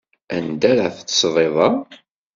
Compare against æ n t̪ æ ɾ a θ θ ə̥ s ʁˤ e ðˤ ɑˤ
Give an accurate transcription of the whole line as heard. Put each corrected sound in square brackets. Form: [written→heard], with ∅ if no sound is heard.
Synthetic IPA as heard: æ n [t̪→d̪] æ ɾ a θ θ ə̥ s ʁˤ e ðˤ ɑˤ